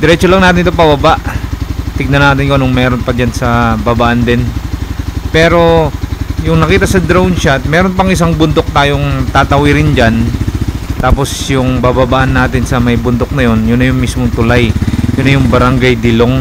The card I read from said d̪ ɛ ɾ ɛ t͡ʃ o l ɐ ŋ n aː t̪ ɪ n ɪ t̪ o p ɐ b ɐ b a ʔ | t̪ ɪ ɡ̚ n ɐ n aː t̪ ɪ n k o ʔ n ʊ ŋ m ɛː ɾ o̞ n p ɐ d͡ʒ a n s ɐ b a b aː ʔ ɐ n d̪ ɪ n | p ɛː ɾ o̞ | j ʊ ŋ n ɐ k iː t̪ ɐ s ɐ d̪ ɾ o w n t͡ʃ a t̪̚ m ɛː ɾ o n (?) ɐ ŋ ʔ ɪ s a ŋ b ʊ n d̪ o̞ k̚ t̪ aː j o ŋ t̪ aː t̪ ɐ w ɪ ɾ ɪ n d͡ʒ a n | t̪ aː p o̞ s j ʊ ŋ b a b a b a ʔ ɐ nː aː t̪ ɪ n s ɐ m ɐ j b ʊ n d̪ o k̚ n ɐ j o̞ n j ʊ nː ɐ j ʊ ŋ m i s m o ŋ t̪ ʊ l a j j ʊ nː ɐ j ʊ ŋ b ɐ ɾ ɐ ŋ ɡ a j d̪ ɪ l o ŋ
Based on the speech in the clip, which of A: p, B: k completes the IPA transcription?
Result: A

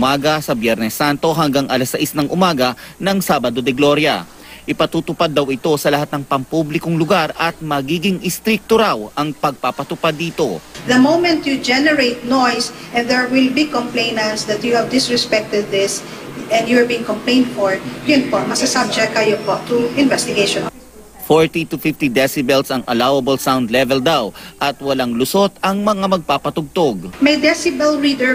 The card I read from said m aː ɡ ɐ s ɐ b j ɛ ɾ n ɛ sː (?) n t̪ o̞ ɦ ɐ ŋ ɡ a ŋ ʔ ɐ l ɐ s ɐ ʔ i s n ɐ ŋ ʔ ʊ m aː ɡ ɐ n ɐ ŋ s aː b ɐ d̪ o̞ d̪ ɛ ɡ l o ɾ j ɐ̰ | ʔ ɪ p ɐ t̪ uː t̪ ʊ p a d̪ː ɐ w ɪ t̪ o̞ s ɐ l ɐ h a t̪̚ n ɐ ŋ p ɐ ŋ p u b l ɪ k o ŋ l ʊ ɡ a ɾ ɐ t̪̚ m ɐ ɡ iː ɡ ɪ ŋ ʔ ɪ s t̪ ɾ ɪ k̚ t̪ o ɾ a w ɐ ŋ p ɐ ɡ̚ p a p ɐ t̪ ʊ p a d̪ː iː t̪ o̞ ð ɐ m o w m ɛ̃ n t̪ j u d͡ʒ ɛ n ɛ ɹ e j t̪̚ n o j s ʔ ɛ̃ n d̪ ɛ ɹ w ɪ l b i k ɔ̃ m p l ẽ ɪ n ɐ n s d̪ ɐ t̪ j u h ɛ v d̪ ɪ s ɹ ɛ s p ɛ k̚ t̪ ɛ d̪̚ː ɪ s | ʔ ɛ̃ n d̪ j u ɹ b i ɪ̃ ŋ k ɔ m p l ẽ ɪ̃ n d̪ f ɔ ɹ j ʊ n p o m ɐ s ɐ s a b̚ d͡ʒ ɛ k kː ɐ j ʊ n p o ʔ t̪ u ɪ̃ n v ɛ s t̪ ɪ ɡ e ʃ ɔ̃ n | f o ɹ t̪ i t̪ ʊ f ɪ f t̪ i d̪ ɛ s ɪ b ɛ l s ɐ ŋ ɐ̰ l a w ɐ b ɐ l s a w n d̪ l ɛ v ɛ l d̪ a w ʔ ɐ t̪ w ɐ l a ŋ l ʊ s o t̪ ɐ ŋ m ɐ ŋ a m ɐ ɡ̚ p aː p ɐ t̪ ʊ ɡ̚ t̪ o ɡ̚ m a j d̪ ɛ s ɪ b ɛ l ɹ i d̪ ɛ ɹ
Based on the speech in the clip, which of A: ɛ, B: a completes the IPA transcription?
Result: B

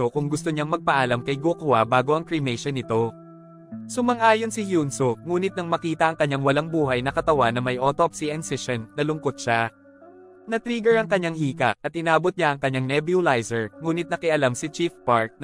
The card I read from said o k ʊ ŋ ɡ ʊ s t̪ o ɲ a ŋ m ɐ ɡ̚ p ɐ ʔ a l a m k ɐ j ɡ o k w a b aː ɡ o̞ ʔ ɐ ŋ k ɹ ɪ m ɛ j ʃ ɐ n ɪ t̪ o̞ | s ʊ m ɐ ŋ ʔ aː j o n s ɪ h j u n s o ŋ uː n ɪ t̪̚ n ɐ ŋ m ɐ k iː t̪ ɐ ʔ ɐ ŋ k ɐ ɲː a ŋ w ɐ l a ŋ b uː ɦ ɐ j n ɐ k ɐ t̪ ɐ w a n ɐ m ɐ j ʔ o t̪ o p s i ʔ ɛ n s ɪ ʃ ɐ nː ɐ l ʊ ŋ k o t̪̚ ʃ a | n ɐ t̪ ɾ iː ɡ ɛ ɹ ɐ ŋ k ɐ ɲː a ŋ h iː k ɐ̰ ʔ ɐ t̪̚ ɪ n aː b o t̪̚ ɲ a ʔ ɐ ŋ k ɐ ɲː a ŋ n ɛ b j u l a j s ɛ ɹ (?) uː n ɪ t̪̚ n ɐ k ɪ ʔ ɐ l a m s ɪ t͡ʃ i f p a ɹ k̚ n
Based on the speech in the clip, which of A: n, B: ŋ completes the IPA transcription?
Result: B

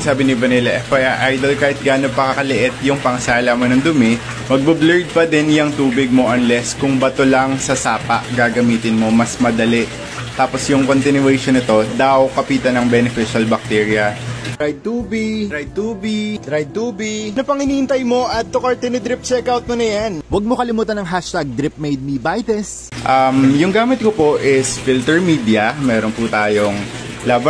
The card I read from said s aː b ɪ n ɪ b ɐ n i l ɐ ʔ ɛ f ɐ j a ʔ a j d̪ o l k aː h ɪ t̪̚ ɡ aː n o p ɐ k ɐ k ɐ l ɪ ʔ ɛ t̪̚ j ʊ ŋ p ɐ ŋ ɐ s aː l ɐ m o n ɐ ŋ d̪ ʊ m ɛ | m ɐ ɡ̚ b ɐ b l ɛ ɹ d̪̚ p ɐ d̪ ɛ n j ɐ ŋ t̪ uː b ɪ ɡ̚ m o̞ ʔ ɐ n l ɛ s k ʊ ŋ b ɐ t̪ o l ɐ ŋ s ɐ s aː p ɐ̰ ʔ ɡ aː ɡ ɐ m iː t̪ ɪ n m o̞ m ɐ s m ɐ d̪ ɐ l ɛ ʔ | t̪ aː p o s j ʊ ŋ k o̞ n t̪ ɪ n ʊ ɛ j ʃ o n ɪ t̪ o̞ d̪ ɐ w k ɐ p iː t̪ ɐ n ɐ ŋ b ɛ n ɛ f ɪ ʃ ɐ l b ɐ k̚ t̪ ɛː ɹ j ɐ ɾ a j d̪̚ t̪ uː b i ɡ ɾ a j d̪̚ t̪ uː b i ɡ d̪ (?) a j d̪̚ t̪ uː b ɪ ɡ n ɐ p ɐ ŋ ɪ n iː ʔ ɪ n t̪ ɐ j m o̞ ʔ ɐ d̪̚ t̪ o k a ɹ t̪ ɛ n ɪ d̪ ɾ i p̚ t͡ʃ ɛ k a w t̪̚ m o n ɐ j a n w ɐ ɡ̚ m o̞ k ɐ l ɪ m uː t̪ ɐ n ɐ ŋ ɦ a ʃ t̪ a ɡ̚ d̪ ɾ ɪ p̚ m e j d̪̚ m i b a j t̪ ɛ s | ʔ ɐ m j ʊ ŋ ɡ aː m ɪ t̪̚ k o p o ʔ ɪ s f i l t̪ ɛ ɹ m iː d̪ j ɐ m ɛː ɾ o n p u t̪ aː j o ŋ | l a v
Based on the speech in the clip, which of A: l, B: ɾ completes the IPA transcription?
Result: B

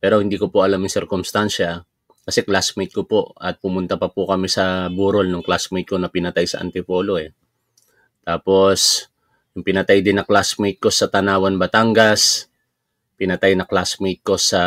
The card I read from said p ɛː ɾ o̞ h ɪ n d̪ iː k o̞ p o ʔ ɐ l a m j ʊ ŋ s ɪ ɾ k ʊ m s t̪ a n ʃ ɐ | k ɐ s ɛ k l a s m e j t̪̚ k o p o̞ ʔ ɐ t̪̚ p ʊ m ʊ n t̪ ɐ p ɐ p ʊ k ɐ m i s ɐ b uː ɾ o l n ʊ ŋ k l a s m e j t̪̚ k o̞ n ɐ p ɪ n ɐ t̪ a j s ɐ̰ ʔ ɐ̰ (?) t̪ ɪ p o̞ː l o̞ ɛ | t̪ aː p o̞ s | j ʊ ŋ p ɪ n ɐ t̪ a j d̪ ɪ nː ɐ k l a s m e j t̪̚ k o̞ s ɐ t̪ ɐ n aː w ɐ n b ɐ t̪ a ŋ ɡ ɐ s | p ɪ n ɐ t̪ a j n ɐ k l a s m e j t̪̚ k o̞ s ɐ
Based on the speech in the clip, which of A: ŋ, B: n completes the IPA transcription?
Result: B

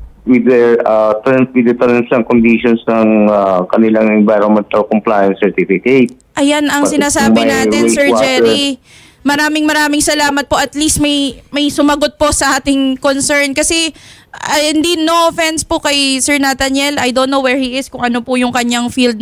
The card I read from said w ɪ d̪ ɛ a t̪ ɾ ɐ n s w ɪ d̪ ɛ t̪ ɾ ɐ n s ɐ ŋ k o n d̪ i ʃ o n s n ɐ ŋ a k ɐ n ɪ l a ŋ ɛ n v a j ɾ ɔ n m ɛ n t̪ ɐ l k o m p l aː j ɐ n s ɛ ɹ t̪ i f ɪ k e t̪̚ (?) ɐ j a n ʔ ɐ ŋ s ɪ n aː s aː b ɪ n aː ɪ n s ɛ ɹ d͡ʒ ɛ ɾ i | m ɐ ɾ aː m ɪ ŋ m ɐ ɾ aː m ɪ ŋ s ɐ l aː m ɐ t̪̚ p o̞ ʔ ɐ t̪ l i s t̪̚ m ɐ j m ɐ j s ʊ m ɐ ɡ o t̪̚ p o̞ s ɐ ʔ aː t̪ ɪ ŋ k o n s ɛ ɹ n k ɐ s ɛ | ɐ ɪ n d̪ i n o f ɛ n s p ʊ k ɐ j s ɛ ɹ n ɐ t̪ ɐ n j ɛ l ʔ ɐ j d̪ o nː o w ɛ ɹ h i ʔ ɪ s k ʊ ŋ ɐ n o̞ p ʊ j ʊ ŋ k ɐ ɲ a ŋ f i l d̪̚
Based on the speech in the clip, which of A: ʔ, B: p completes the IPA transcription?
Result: A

